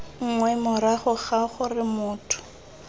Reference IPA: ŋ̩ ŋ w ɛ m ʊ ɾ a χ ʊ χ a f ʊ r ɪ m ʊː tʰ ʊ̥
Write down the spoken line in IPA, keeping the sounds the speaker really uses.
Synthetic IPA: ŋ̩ ŋ w ɛ m ʊ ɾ a χ ʊ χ a χ ʊ r ɪ m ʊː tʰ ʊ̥